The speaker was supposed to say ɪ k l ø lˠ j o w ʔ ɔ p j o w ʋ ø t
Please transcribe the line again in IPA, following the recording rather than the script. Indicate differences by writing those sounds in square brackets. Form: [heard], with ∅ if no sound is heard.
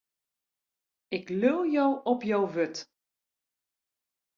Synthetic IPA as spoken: ɪ k l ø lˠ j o w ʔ ɔ p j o w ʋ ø t